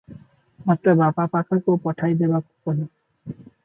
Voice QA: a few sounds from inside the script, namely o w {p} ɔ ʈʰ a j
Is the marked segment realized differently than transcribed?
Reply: no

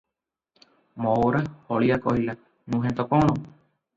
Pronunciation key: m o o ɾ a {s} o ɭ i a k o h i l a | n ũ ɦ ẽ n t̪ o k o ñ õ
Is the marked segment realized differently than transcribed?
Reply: yes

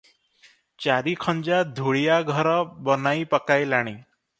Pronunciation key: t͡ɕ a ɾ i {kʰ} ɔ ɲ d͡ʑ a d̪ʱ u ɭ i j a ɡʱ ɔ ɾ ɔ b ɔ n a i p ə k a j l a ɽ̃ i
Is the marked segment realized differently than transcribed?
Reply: no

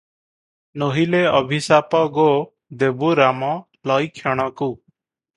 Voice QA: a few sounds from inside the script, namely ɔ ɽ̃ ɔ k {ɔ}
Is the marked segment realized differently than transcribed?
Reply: yes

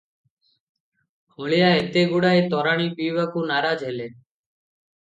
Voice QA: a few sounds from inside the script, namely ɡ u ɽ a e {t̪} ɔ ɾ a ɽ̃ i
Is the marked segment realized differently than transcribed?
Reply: no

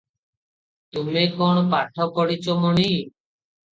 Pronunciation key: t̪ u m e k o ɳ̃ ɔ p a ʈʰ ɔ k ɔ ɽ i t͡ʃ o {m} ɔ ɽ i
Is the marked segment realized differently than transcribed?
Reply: no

